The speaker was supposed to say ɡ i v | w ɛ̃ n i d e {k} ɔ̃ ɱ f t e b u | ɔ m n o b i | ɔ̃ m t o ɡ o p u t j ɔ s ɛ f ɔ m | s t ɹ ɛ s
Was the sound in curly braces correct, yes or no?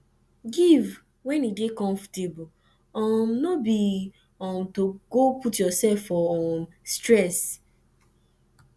yes